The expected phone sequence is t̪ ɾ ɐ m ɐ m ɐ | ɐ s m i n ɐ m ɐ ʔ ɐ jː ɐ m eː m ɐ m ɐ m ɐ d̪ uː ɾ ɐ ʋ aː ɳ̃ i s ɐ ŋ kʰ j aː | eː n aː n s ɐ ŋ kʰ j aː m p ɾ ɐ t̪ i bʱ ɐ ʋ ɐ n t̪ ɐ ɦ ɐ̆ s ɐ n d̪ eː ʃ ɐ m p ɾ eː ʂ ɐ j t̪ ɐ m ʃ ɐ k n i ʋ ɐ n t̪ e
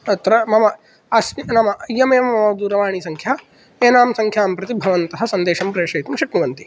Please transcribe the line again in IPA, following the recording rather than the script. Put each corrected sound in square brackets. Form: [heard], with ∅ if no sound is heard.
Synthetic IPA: t̪ ɾ ɐ m ɐ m ɐ | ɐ s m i n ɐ m ɐ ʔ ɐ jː ɐ m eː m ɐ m ɐ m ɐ d̪ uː ɾ ɐ ʋ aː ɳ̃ i s ɐ ŋ kʰ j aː | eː n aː [m] s ɐ ŋ kʰ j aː m p ɾ ɐ t̪ i bʱ ɐ ʋ ɐ n t̪ ɐ ɦ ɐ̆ s ɐ n d̪ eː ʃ ɐ m p ɾ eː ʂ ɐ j t̪ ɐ m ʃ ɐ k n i ʋ ɐ n t̪ [i]